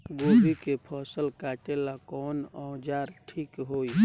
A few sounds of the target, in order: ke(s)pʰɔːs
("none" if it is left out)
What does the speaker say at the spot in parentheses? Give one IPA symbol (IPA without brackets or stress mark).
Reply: none